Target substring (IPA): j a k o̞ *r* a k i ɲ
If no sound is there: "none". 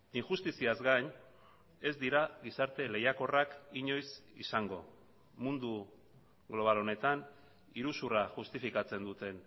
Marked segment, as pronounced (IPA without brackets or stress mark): r